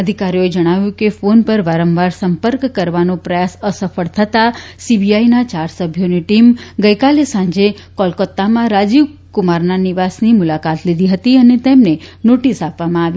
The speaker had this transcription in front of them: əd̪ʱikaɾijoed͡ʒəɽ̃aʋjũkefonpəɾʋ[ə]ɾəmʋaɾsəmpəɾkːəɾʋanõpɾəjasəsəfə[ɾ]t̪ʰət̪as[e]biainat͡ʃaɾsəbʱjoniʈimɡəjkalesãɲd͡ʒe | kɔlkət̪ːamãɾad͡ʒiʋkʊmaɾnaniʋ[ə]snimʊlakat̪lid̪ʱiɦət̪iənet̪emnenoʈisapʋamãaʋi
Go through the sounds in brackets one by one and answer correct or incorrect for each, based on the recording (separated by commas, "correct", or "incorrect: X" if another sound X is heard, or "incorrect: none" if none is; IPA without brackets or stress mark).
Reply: incorrect: a, incorrect: ɭ, incorrect: i, incorrect: a